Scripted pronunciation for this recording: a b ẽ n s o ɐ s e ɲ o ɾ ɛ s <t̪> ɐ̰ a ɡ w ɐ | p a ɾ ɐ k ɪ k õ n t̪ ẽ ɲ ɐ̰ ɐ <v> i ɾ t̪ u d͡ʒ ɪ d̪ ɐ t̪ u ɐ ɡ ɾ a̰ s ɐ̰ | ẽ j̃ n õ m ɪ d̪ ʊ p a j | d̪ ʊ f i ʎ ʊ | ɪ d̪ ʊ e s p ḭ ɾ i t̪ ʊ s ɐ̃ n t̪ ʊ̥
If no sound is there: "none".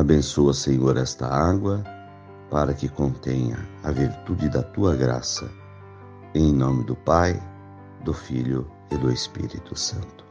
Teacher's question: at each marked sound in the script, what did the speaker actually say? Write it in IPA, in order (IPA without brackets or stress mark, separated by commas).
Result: t̪, v